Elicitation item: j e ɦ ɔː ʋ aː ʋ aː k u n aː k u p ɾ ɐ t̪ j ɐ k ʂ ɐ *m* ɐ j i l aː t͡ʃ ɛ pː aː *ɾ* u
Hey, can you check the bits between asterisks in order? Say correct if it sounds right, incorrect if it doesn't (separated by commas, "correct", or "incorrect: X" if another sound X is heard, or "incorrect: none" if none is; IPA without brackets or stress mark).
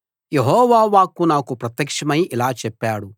correct, incorrect: ɽ